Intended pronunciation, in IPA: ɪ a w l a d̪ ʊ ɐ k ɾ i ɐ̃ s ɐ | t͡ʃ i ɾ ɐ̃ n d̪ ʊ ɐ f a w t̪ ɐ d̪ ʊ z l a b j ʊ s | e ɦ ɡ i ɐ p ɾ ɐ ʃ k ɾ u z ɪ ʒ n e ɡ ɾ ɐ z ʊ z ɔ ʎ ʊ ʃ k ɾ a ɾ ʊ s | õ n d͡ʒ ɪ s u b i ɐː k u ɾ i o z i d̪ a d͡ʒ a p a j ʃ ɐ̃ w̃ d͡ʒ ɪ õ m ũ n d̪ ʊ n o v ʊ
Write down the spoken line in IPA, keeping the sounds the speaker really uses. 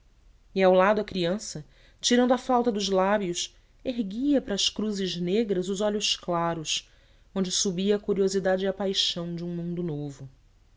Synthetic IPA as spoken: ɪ a w l a d̪ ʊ ɐ k ɾ i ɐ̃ s ɐ | t͡ʃ i ɾ ɐ̃ n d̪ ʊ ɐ f a w t̪ ɐ d̪ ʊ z l a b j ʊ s | e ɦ ɡ i ɐ p ɾ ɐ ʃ k ɾ u z ɪ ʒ n e ɡ ɾ ɐ z ʊ z ɔ ʎ ʊ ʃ k l a ɾ ʊ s | õ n d͡ʒ ɪ s u b i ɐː k u ɾ i o z i d̪ a d͡ʒ a p a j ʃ ɐ̃ w̃ d͡ʒ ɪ ũ m ũ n d̪ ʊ n o v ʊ

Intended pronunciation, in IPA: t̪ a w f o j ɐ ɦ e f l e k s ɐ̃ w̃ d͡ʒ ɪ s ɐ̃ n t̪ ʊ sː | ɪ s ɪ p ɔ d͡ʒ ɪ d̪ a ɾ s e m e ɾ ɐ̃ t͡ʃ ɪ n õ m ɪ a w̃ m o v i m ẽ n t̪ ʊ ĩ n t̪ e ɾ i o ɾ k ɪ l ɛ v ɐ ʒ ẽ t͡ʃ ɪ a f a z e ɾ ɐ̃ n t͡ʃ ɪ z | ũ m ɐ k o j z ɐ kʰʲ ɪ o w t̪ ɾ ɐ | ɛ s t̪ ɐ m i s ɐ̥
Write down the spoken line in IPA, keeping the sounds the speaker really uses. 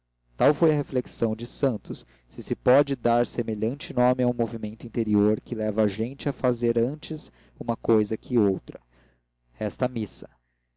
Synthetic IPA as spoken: t̪ a w f o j ɐ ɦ e f l e k s ɐ̃ w̃ d͡ʒ ɪ s ɐ̃ n t̪ ʊ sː | ɪ s ɪ p ɔ d͡ʒ ɪ d̪ a ɾ s e m e ʎ ɐ̃ t͡ʃ ɪ n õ m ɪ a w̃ m o v i m ẽ n t̪ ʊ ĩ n t̪ e ɾ i o ɾ k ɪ l ɛ v ɐ ʒ ẽ t͡ʃ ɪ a f a z e ɾ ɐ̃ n t͡ʃ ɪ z | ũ m ɐ k o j z ɐ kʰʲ ɪ o w t̪ ɾ ɐ | ɛ s t̪ ɐ m i s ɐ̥

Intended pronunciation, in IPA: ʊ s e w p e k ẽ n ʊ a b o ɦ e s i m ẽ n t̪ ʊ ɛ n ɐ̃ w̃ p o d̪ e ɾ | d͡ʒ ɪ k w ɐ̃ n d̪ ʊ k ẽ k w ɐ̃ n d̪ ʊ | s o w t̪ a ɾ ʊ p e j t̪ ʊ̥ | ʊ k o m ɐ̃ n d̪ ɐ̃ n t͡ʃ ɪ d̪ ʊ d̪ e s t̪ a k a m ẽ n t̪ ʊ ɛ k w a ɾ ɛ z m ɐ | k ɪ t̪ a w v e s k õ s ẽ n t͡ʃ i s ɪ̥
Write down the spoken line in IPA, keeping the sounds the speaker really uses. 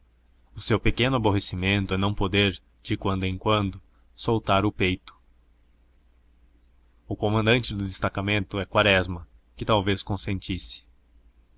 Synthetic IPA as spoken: ʊ s e w p e k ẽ n ʊ a b o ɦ e s i m ẽ n t̪ ʊ ɛ n ɐ̃ w̃ p o d̪ e ɾ | d͡ʒ ɪ k w ɐ̃ n d̪ ʊ ẽ k w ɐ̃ n d̪ ʊ | s o w t̪ a ɾ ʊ p e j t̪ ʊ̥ | ʊ k o m ɐ̃ n d̪ ɐ̃ n t͡ʃ ɪ d̪ ʊ d̪ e s t̪ a k a m ẽ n t̪ ʊ ɛ k w a ɾ ɛ z m ɐ | k ɪ t̪ a w v e s k õ s ẽ n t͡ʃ i s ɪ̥

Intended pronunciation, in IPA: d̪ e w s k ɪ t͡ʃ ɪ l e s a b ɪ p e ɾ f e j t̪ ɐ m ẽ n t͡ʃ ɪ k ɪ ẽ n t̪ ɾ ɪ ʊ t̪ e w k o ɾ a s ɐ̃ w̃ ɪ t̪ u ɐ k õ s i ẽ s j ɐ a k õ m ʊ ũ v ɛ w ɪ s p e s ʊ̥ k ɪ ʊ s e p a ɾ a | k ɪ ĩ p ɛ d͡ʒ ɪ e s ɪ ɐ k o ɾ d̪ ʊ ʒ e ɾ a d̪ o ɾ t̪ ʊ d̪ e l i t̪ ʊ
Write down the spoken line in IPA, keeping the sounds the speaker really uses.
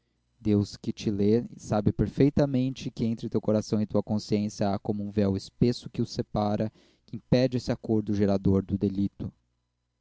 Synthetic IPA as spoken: d̪ e w s k ɪ t͡ʃ ɪ l e s a b ɪ p e ɾ f e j t̪ ɐ m ẽ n t͡ʃ ɪ k ɪ ẽ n t̪ ɾ ɪ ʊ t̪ e w k o ɾ a s ɐ̃ w̃ ɪ t̪ u ɐ k õ s i ẽ s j ɐ a k õ m ʊ ũ v ɛ w ɪ s p e s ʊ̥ k ɪ ʊ s e p a ɾ ɐ | k ɪ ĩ p ɛ d͡ʒ ɪ e s ɪ a k o ɾ d̪ ʊ ʒ e ɾ a d̪ o ɾ d̪ ʊ d̪ e l i t̪ ʊ

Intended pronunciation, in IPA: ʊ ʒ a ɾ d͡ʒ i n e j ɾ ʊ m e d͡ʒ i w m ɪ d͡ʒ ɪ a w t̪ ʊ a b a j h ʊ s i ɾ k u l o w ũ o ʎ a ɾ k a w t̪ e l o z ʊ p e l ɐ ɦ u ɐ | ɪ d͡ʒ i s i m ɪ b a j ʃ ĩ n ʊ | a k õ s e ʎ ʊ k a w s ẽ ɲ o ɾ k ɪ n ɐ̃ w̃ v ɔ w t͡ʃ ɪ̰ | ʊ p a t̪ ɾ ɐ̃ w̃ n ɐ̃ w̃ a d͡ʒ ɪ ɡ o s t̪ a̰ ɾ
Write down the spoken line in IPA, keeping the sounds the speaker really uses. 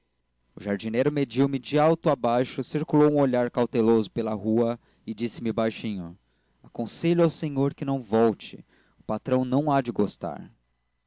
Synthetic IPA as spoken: ʊ ʒ a ɾ d͡ʒ i n e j ɾ ʊ m e d͡ʒ i w m ɪ d͡ʒ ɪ a w t̪ ʊ a b a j ʃ ʊ s i ɾ k u l o w ũ o ʎ a ɾ k a w t̪ e l o z ʊ p e l ɐ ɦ u ɐ | ɪ d͡ʒ i s ɪ m ɪ b a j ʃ ĩ ɲ ʊ | a k õ s e ʎ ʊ a w s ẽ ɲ o ɾ k ɪ n ɐ̃ w̃ v ɔ w t͡ʃ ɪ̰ | ʊ p a t̪ ɾ ɐ̃ w̃ n ɐ̃ w̃ a d͡ʒ ɪ ɡ o s t̪ a̰ ɾ

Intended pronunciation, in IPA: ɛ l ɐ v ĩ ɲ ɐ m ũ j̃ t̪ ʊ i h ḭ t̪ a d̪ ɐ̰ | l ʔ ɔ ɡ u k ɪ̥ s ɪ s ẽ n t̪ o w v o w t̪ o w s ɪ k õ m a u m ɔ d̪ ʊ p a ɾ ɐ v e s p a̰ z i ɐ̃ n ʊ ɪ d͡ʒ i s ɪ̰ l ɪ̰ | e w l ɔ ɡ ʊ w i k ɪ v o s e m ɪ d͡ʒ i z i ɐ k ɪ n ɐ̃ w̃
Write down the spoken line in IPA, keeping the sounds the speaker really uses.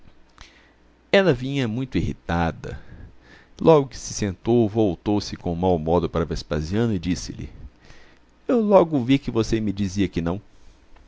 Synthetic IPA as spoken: ɛ l ɐ v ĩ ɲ ɐ m ũ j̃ t̪ ʊ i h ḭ t̪ a d̪ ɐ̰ | l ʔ ɔ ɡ ʊ k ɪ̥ s ɪ s ẽ n t̪ o w v o w t̪ o w s ɪ k õ m a w m ɔ d̪ ʊ p a ɾ ɐ v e s p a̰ z i ɐ̃ n ʊ ɪ d͡ʒ i s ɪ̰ l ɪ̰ | e w l ɔ ɡ ʊ v i k ɪ v o s e m ɪ d͡ʒ i z i ɐ k ɪ n ɐ̃ w̃

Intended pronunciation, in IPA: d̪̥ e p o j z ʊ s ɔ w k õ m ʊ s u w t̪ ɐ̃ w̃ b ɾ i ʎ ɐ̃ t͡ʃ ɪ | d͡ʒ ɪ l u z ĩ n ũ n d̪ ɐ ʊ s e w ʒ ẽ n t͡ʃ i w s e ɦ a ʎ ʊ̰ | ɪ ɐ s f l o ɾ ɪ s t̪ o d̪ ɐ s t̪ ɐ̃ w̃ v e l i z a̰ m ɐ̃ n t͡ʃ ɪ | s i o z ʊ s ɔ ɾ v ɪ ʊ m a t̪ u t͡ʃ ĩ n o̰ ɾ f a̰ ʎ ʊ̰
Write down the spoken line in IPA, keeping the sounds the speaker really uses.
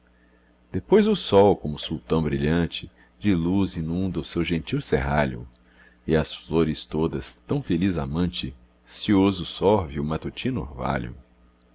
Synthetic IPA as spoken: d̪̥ e p o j z ʊ s ɔ w k õ m ʊ s u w t̪ ɐ̃ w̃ b ɾ i ʎ ɐ̃ t͡ʃ ɪ | d͡ʒ ɪ l u z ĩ n ũ n d̪ ɐ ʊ s e w ʒ ẽ n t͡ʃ i w s e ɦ a ʎ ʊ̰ | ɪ ɐ s f l o ɾ ɪ s t̪ o d̪ ɐ s t̪ ɐ̃ w̃ f e l i z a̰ m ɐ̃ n t͡ʃ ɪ | s i o z ʊ s ɔ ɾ v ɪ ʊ m a t̪ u t͡ʃ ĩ n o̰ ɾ v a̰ ʎ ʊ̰

